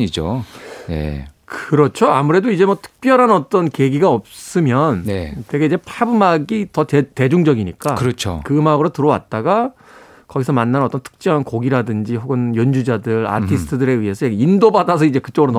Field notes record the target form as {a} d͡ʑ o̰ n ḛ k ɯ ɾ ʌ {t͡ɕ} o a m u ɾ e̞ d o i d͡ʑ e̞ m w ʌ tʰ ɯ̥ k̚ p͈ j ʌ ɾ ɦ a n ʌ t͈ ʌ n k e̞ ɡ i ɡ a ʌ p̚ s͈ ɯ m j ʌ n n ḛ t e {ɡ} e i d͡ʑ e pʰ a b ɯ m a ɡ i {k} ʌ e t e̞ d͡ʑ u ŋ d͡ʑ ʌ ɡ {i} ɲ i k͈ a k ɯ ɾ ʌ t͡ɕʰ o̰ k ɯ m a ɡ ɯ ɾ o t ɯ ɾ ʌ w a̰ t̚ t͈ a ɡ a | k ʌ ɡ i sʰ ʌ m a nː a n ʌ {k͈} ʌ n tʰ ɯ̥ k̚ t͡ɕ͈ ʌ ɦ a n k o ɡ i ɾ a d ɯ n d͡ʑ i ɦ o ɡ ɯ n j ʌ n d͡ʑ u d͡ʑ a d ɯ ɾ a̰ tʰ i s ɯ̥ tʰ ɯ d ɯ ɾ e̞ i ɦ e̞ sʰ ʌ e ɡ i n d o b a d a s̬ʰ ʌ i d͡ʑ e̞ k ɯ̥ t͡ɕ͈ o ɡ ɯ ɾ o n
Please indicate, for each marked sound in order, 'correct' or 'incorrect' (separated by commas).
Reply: incorrect, incorrect, correct, incorrect, correct, incorrect